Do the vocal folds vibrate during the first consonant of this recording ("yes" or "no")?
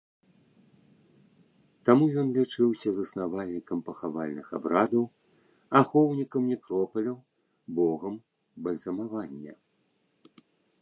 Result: no